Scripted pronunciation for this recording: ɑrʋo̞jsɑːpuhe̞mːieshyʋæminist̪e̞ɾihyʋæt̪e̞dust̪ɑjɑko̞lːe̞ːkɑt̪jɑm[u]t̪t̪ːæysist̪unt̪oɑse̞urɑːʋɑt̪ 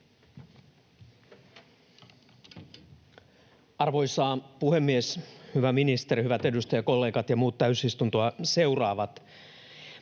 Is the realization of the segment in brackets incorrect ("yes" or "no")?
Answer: yes